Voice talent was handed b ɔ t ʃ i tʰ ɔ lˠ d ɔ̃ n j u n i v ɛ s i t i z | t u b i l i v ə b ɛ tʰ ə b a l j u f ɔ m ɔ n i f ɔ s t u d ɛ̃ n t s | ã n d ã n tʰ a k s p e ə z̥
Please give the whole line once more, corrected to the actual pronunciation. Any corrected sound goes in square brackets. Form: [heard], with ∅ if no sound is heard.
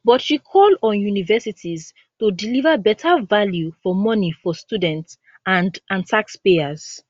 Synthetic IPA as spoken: b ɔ t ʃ i [kʰ] ɔ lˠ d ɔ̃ n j u n i v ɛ s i t i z | t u [d] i l i v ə b ɛ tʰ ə [v] a l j u f ɔ m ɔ n i f ɔ s t u d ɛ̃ n t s | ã n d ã n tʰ a k s p e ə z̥